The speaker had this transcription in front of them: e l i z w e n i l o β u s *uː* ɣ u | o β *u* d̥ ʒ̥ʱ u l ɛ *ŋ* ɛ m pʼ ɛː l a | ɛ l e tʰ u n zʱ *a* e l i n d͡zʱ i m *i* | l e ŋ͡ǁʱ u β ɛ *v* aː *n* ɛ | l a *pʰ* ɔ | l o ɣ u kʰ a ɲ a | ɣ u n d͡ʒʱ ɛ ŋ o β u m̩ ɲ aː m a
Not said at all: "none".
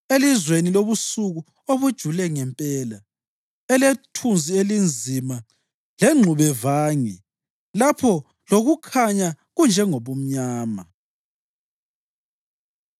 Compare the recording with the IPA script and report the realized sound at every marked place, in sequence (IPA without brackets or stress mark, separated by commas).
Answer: u, u, ŋ, i, a, v, ŋ, pʰ